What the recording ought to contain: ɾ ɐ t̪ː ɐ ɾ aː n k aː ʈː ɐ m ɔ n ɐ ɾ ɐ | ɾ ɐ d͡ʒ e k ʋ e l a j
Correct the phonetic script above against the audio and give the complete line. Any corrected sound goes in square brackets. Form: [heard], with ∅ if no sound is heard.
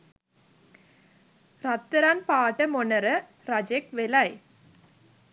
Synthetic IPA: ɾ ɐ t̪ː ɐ ɾ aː n [p] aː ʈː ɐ m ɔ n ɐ ɾ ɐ | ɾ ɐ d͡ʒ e k ʋ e l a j